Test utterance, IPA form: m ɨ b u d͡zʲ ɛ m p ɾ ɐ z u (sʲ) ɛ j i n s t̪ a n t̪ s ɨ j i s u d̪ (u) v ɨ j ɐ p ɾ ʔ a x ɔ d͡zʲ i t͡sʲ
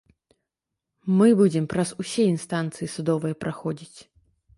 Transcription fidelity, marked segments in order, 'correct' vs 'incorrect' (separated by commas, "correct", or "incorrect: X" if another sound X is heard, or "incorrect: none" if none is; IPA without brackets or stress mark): correct, incorrect: ɔ